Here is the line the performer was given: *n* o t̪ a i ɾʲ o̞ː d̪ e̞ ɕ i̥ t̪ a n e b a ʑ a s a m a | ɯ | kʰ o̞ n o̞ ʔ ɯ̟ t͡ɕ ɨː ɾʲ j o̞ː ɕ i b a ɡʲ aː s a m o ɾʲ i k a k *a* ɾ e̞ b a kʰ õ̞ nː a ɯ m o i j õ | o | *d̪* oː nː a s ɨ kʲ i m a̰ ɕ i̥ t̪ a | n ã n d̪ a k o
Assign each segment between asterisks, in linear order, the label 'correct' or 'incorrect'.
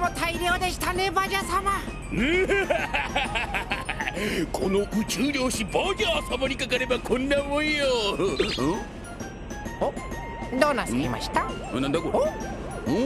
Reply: incorrect, correct, correct

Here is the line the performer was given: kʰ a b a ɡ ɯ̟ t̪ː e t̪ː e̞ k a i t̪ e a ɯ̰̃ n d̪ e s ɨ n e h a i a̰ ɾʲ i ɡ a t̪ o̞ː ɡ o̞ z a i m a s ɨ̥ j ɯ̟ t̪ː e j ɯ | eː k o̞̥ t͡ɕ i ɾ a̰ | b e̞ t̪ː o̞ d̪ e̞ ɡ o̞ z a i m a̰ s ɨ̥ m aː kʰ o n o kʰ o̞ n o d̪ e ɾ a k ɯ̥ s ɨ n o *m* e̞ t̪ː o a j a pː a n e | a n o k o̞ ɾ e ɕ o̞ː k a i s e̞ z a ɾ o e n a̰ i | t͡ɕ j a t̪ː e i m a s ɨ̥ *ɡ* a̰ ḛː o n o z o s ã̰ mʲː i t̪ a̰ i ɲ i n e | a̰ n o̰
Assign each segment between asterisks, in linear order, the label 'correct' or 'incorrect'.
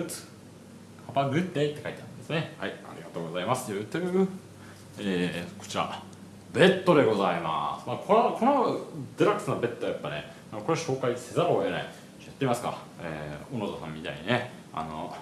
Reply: incorrect, incorrect

